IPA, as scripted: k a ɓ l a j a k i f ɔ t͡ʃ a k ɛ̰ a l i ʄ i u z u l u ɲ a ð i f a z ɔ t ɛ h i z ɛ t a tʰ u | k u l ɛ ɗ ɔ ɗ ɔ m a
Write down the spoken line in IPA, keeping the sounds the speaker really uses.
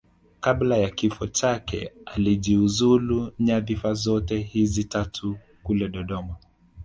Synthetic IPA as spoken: k a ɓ l a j a k i f ɔ t͡ʃ a k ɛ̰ a l i ʄ i u z u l u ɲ a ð i f a z ɔ t ɛ h i z i t a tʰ u | k u l ɛ ɗ ɔ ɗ ɔ m a

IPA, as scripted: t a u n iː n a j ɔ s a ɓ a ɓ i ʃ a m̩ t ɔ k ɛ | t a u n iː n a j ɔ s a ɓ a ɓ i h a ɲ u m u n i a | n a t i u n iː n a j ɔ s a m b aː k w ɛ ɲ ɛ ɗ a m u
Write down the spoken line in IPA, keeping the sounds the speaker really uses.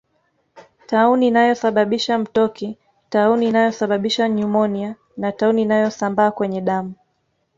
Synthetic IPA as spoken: t a u n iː n a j ɔ s a ɓ a ɓ i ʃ a m̩ t ɔ k i | t a u n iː n a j ɔ s a ɓ a ɓ i ʃ a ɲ u m ɔ n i a | n a t a u n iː n a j ɔ s a m b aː k w ɛ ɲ ɛ ɗ a m u

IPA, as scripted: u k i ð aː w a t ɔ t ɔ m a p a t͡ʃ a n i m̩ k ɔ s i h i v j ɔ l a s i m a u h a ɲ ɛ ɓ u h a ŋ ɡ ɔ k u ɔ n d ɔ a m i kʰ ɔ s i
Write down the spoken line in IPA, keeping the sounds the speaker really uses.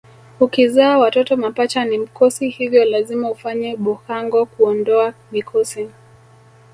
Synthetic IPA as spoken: u k i z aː w a t ɔ t ɔ m a p a t͡ʃ a n i m̩ k ɔ s i h i v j ɔ l a z i m a u f a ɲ ɛ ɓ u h a ŋ ɡ ɔ k u ɔ n d ɔ a m i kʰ ɔ s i

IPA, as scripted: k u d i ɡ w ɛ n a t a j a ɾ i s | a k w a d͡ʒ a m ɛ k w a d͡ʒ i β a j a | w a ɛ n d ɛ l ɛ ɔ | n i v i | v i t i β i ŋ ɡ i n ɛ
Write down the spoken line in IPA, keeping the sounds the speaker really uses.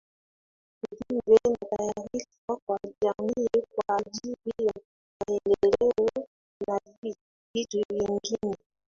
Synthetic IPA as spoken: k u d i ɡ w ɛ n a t a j a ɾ i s | a k w a d͡ʒ a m i k w a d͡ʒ i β i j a | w a ɛ n d ɛ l ɛ ɔ | n a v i | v i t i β i ŋ ɡ i n ɛ

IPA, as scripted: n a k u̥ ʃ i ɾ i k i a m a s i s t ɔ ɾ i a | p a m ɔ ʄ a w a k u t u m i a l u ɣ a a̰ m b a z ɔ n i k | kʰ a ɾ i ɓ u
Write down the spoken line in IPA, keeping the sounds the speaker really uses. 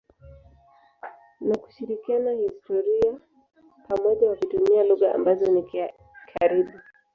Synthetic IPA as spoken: n a k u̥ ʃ i ɾ i k i a n a h i s t ɔ ɾ i a | p a m ɔ ʄ a w a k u t u m i a l u ɣ a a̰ m b a z ɔ n i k | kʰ a ɾ i ɓ u

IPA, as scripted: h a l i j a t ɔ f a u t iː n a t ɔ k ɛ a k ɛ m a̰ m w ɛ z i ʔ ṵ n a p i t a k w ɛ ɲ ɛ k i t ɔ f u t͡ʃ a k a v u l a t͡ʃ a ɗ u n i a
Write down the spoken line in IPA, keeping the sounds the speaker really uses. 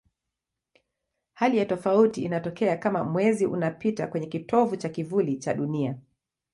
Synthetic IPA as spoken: h a l i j a t ɔ f a u t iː n a t ɔ k ɛ a k a m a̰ m w ɛ z i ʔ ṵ n a p i t a k w ɛ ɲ ɛ k i t ɔ v u t͡ʃ a k i v u l i t͡ʃ a ɗ u n i a

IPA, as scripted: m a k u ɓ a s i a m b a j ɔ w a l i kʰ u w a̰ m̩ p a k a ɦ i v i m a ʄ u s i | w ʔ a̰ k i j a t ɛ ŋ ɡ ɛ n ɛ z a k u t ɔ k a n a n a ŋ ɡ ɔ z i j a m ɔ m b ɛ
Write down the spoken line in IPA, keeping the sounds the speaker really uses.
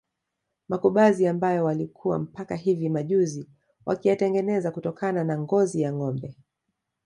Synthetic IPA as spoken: m a k u ɓ a z i a m b a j ɔ w a l i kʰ u w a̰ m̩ p a k a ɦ i v i m a ʄ u z i | w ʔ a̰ k i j a t ɛ ŋ ɡ ɛ n ɛ z a k u t ɔ k a n a n a ŋ ɡ ɔ z i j a ŋ ɔ m b ɛ

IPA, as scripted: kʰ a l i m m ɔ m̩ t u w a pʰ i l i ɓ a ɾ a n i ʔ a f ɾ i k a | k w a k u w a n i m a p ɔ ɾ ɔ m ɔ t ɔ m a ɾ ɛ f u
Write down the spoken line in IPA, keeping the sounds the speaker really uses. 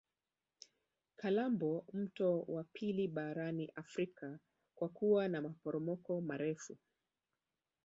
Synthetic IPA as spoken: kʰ a l a m b ɔ m̩ t ɔ w a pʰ i l i ɓ a ɾ a n i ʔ a f ɾ i k a | k w a k u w a n a m a p ɔ ɾ ɔ m ɔ k ɔ m a ɾ ɛ f u

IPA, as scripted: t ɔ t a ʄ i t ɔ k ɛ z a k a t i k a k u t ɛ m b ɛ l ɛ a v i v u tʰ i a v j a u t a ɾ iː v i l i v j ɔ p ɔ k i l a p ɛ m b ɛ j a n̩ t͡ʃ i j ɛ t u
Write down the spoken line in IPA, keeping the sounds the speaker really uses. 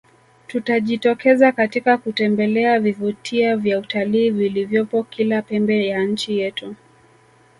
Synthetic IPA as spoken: t u t a ʄ i t ɔ k ɛ z a k a t i k a k u t ɛ m b ɛ l ɛ a v i v u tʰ i a v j a u t a l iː v i l i v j ɔ p ɔ k i l a p ɛ m b ɛ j a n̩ t͡ʃ i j ɛ t u

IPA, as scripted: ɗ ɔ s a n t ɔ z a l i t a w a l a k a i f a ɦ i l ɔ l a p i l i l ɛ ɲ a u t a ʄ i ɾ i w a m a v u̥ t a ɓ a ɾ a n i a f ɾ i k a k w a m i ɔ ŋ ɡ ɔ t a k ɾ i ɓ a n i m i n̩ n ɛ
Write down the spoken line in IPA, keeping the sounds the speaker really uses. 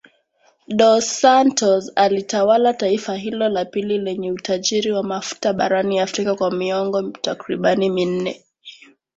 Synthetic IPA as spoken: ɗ ɔ s a n t ɔ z a l i t a w a l a t a i f a ɦ i l ɔ l a p i l i l ɛ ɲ ɛ u t a ʄ i ɾ i w a m a f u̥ t a ɓ a ɾ a n i a f ɾ i k a k w a m i ɔ ŋ ɡ ɔ t a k ɾ i ɓ a n i m i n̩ n ɛ

